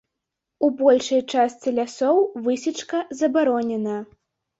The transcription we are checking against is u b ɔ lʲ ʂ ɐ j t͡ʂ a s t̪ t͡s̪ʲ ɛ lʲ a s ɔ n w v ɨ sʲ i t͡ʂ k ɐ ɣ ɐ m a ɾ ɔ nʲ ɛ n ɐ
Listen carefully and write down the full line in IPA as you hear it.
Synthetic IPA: u b ɔ lʲ ʂ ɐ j t͡ʂ a s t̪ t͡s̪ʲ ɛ lʲ a s ɔ w v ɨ sʲ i t͡ʂ k ɐ z ɐ b a ɾ ɔ nʲ ɛ n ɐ